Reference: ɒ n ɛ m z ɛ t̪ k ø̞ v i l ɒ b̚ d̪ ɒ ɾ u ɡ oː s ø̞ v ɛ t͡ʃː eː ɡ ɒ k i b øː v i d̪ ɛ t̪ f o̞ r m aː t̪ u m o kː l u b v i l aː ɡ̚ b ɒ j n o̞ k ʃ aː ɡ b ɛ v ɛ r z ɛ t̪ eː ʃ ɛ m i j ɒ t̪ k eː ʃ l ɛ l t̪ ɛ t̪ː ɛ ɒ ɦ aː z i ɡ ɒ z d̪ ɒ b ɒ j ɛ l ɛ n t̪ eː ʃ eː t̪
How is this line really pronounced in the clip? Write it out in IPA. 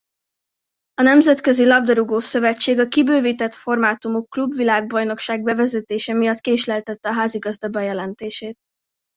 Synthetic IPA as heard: ɒ n ɛ m z ɛ t̪ k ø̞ z i l ɒ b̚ d̪ ɒ ɾ u ɡ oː s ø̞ v ɛ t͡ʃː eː ɡ ɒ k i b øː v i t̪ ɛ t̪ f o̞ r m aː t̪ u m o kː l u b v i l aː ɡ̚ b ɒ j n o̞ k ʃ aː ɡ b ɛ v ɛ z ɛ t̪ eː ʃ ɛ m i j ɒ t̪ k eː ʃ l ɛ l t̪ ɛ t̪ː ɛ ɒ ɦ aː z i ɡ ɒ z d̪ ɒ b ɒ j ɛ l ɛ n t̪ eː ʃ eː t̪